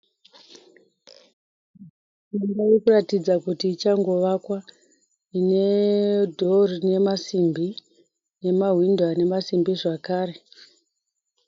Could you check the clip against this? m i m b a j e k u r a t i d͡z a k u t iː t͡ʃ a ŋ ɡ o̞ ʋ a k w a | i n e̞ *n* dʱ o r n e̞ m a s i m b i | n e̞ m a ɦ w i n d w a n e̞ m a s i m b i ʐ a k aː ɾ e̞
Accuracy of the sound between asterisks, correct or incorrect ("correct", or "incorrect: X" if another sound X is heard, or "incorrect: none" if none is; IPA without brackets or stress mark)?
incorrect: none